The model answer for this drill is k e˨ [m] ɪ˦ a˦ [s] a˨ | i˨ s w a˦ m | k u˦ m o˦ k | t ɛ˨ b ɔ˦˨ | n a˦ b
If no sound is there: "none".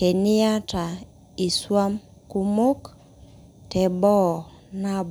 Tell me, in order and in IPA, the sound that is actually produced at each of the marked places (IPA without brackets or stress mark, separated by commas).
n, t